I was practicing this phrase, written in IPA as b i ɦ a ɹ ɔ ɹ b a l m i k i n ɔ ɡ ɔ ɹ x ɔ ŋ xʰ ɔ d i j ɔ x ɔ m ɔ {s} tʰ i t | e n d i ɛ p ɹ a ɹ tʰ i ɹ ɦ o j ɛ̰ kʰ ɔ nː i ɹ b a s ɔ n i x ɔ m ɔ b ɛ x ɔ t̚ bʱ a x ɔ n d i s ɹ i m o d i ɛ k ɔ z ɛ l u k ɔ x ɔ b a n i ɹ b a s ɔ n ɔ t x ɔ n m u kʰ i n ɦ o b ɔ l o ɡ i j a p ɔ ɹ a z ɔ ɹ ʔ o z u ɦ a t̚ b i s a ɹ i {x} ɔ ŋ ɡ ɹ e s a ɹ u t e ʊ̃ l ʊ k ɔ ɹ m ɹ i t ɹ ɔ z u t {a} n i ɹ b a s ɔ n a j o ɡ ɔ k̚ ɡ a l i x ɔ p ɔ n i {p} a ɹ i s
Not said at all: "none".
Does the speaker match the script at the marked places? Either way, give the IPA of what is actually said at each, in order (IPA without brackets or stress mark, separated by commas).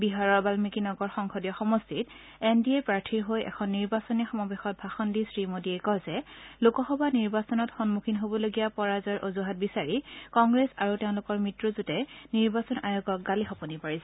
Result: s, k, ɛ, p